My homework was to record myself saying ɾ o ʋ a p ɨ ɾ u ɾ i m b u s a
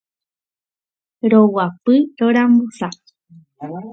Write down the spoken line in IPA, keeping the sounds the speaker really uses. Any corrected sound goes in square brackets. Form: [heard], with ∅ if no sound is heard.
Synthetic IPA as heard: ɾ o [w] a p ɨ ɾ [o] ɾ [a] m b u s a